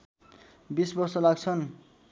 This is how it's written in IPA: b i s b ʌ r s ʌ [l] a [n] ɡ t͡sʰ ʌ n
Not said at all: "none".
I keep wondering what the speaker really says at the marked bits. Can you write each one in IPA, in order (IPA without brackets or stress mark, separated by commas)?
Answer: l, none